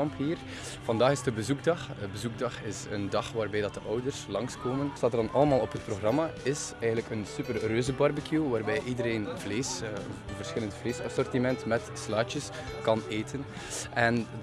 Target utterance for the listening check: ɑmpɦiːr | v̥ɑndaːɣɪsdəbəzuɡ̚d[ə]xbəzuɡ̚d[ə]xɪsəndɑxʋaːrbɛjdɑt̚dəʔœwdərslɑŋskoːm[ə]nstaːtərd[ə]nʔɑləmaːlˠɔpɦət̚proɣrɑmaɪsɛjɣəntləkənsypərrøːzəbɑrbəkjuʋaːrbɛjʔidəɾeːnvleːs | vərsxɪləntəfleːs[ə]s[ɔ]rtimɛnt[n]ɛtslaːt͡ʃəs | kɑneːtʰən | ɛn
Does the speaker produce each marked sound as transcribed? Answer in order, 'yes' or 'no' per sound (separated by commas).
no, no, yes, no, no, yes, no